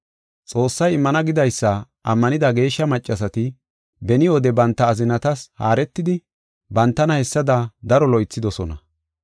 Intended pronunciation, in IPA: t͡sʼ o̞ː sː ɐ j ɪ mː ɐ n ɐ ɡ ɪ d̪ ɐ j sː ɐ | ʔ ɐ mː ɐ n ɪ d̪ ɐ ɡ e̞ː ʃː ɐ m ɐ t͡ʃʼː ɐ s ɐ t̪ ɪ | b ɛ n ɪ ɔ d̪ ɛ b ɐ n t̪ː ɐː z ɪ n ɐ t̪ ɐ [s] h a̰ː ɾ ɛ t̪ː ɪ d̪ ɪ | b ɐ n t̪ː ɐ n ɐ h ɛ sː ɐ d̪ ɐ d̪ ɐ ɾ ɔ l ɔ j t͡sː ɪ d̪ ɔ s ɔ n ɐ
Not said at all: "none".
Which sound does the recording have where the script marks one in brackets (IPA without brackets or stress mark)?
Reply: s